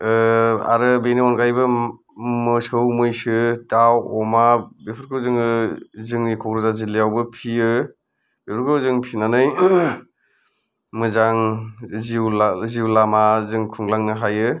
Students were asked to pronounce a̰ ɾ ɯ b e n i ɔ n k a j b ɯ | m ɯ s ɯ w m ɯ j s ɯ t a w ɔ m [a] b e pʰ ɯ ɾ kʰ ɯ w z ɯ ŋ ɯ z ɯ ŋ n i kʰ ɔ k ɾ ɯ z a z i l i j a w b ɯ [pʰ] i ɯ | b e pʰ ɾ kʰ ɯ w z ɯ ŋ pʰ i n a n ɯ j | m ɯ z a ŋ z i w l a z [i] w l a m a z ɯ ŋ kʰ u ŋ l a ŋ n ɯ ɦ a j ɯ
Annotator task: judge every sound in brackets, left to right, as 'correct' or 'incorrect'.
correct, correct, correct

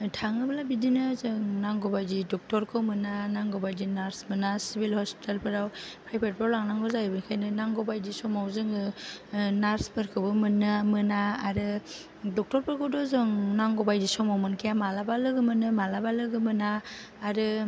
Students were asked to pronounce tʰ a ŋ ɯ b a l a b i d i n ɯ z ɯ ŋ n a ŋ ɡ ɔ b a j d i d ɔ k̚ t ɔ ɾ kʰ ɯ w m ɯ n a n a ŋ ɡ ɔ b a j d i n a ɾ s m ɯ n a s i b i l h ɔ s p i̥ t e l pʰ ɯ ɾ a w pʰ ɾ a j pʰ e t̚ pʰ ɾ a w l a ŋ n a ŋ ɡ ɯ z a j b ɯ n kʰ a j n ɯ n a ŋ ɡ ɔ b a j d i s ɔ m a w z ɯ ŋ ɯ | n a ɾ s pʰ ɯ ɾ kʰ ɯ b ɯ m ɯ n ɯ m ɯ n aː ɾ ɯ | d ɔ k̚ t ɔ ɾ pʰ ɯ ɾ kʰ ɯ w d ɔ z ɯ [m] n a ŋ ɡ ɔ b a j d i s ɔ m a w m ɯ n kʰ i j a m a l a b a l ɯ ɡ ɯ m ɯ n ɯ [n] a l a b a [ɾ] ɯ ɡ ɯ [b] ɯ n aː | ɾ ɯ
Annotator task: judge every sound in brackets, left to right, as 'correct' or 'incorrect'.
incorrect, incorrect, incorrect, incorrect

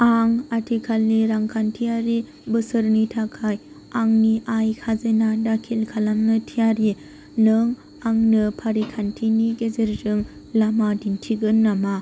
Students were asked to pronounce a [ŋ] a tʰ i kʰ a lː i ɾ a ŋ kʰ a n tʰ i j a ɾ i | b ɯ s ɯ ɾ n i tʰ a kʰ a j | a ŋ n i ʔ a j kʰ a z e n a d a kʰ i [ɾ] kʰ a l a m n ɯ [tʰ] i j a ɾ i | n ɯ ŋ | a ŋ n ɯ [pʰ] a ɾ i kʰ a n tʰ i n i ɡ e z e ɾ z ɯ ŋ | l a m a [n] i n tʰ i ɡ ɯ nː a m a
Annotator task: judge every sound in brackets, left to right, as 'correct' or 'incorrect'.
correct, incorrect, correct, correct, incorrect

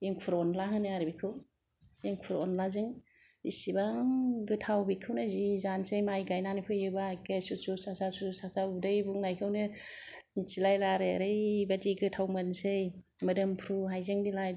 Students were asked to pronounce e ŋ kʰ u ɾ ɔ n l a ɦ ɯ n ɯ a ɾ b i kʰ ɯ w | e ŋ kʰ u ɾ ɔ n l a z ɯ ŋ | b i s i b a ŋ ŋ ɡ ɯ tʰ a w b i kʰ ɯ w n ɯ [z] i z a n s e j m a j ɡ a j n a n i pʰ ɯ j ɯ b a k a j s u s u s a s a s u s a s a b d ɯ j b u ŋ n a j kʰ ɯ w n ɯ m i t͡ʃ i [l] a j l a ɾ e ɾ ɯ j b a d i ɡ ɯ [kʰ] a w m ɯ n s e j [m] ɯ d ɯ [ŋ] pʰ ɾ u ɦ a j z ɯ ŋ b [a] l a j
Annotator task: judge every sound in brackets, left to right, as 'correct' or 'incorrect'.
correct, correct, incorrect, correct, incorrect, incorrect

